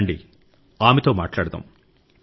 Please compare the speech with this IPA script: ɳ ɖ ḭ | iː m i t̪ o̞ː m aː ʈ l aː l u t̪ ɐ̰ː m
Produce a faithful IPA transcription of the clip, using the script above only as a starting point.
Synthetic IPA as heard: ɳ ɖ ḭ | aː m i t̪ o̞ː m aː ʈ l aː ɽ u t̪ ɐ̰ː m